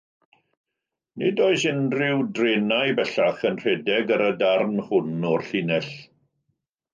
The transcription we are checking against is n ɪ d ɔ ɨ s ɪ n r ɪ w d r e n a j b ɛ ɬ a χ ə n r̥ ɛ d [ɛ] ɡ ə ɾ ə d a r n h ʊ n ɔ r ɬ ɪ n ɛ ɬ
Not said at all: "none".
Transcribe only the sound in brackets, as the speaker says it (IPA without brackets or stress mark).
ɛ